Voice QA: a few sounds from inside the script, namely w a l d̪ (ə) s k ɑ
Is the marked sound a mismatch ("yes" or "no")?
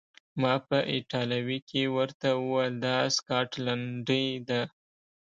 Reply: yes